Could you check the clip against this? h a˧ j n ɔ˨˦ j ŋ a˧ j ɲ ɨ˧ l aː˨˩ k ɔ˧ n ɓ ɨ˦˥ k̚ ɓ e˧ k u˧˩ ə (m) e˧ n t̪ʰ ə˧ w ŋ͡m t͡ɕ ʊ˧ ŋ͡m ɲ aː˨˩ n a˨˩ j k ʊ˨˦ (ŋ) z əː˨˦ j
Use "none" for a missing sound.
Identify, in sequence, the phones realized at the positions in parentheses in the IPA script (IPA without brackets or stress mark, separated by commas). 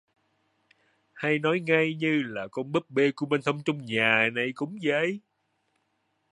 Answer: m, ŋ͡m